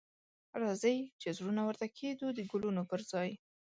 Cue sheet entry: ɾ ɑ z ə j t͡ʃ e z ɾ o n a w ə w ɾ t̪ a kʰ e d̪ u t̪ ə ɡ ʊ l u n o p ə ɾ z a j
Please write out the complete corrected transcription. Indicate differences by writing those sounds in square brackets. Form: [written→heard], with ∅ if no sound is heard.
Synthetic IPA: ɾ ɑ z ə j t͡ʃ e z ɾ [o→u] n a w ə [w→∅] ɾ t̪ a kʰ e d̪ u [t̪→d̪] ə ɡ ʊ l u n o p ə ɾ z [a→ɑ] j